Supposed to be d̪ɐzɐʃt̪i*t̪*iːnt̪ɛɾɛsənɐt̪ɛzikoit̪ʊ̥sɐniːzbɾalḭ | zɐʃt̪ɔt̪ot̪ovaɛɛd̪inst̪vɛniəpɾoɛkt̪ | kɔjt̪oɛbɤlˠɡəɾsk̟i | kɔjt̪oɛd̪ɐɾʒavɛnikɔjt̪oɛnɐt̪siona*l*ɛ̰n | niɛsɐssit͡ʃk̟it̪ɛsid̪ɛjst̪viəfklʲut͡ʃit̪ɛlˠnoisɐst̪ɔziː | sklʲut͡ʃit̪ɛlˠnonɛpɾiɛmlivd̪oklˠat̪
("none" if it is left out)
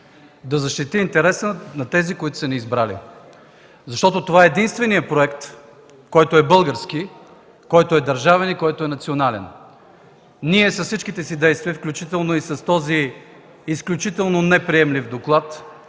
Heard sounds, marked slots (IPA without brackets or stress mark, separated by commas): t̪, l